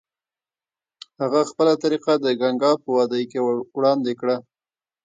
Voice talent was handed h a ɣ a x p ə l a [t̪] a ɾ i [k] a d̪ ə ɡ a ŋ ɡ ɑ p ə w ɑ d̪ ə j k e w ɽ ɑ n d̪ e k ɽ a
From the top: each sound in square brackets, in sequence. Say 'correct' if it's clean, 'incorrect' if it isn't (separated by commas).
correct, incorrect